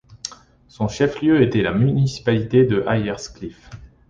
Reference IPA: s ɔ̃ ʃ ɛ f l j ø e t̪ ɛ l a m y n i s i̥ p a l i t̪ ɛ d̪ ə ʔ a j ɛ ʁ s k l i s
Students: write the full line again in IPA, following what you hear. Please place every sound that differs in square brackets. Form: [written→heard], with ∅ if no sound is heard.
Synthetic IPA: s ɔ̃ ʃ ɛ f l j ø e t̪ ɛ l a m y n i s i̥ p a l i t̪ [ɛ→e] d̪ ə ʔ a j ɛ ʁ s k l i [s→f]

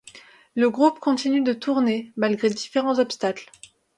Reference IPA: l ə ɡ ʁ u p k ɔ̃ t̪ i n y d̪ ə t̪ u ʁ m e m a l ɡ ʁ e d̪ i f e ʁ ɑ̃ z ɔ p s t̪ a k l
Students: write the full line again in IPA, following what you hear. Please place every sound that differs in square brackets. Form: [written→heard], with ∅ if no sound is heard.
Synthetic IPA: l ə ɡ ʁ u p k ɔ̃ t̪ i n y d̪ ə t̪ u ʁ [m→n] e m a l ɡ ʁ e d̪ i f e ʁ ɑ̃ z ɔ p s t̪ a k l

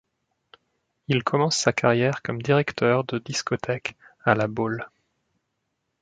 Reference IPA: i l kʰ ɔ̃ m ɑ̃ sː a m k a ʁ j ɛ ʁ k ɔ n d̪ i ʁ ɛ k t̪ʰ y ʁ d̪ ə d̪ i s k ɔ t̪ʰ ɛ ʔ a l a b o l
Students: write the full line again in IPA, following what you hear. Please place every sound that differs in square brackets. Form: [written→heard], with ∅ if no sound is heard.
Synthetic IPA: i l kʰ [ɔ̃→ɔ] m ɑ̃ sː a [m→∅] k a ʁ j ɛ ʁ k ɔ [n→m] d̪ i ʁ ɛ k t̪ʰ [y→œ] ʁ d̪ ə d̪ i s k ɔ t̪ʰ ɛ [ʔ→k] a l a b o l

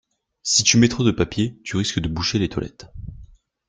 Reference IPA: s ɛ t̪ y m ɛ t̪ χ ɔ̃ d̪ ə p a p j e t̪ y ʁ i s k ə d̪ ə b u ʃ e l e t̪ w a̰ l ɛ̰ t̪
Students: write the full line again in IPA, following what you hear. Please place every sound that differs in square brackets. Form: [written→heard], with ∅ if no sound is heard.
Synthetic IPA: s [ɛ→i] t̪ y m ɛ t̪ χ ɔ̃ d̪ ə p a p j e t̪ y ʁ i s k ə d̪ ə b u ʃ e l e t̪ w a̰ l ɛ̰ t̪

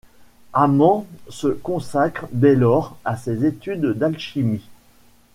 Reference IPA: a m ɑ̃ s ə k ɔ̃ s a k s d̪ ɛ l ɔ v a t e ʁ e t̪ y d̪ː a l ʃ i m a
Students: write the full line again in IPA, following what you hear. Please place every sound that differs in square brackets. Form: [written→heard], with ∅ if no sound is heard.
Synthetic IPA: a m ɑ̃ s ə k ɔ̃ s a k [s→χ] d̪ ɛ l ɔ [v→ʁ] a [t→s] e [ʁ→z] e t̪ y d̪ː a l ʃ i m [a→i]

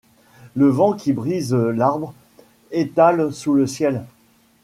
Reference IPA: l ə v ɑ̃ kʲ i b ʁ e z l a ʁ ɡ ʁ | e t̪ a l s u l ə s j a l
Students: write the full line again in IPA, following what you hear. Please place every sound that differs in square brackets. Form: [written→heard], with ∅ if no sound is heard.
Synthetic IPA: l ə v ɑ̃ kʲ i b ʁ [e→i] z l a ʁ [ɡ→b] ʁ | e t̪ a l s u l ə s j [a→ɛ] l

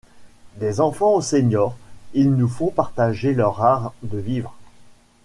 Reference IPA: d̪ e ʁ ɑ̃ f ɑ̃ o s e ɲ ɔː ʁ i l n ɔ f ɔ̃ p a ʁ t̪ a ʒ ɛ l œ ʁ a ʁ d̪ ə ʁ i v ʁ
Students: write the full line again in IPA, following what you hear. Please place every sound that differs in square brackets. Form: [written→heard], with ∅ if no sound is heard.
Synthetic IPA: d̪ e [ʁ→z] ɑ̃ f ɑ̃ o s e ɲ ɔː ʁ i l n [ɔ→u] f ɔ̃ p a ʁ t̪ a ʒ [ɛ→e] l œ ʁ a ʁ d̪ ə [ʁ→v] i v ʁ

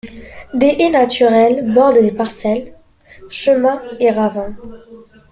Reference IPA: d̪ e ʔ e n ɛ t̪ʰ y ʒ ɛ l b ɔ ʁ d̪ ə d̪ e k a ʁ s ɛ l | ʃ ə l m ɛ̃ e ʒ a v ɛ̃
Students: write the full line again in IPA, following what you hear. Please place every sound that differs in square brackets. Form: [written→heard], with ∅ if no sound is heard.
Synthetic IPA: d̪ e ʔ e n [ɛ→a] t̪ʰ y [ʒ→ʁ] ɛ l b ɔ ʁ d̪ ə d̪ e [k→p] a ʁ s ɛ l | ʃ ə [l→∅] m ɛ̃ e [ʒ→ʁ] a v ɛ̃

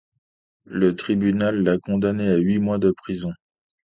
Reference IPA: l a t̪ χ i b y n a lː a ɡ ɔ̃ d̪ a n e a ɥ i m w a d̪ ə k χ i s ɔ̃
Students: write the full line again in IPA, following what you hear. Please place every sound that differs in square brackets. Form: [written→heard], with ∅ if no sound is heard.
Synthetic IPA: l [a→ə] t̪ χ i b y n a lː a [ɡ→k] ɔ̃ d̪ a n e a ɥ i m w a d̪ ə [k→p] χ i [s→z] ɔ̃

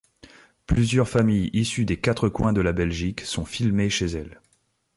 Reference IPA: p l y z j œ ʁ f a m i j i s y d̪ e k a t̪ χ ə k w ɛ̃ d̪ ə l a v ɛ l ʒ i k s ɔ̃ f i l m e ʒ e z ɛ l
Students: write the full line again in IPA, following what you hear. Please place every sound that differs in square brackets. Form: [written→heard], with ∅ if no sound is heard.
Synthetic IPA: p l y z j œ ʁ f a m i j i s y d̪ e k a t̪ χ ə k w ɛ̃ d̪ ə l a [v→b] ɛ l ʒ i k s ɔ̃ f i l m e [ʒ→ʃ] e z ɛ l

